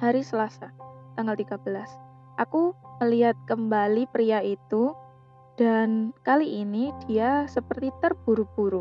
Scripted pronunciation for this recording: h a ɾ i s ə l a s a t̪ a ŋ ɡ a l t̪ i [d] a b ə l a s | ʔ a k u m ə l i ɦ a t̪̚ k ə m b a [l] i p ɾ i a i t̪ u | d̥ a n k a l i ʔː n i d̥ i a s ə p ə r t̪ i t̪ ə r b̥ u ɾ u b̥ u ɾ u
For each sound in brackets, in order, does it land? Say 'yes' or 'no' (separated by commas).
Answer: no, yes